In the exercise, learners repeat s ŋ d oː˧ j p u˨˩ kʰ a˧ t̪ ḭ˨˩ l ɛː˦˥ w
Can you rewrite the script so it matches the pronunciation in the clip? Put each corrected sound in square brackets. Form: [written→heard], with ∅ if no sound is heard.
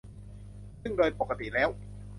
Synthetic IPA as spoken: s ŋ d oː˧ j p [u˨˩→o˨˩] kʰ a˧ t̪ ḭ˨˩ l ɛː˦˥ w